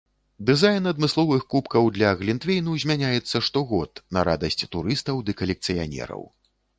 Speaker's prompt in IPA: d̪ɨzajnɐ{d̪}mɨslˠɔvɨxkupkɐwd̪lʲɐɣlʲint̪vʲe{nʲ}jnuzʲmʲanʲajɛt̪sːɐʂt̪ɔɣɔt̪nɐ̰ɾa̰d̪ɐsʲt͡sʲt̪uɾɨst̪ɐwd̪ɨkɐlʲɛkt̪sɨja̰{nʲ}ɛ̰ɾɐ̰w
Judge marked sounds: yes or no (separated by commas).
yes, no, yes